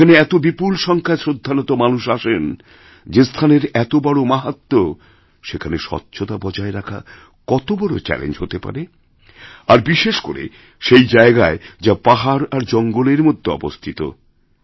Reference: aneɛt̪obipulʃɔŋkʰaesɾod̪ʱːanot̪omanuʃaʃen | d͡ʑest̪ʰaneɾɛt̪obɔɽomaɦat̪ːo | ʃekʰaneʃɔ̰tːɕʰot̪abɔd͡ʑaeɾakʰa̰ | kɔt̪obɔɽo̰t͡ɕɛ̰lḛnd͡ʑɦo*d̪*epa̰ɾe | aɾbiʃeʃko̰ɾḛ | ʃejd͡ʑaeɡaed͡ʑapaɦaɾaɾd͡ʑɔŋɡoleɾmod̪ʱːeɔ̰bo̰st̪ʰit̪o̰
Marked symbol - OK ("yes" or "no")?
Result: no